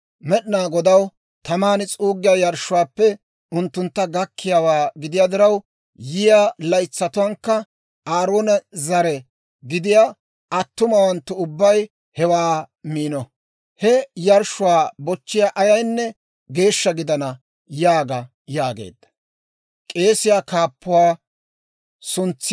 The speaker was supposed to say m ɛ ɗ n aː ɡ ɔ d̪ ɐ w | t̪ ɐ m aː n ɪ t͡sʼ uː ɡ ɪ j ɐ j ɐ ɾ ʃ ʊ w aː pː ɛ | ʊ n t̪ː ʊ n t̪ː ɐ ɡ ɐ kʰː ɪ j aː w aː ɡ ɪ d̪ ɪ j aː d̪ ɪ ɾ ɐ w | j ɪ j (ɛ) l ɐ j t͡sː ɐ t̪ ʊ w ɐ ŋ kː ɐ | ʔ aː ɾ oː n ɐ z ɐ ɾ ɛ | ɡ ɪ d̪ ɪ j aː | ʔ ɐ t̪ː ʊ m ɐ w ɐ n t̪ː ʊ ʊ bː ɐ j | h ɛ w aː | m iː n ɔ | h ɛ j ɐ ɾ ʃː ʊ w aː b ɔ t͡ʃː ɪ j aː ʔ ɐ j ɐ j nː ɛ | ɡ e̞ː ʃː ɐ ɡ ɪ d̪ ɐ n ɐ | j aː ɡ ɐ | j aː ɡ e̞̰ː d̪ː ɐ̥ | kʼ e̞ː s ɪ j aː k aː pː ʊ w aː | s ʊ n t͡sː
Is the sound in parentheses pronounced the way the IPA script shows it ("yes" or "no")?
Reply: no